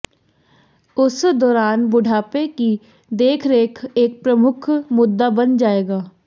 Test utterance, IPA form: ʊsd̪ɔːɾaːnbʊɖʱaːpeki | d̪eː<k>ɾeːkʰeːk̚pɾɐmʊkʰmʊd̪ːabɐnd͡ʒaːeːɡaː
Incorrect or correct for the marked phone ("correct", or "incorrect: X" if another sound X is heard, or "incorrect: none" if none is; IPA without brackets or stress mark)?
incorrect: kʰ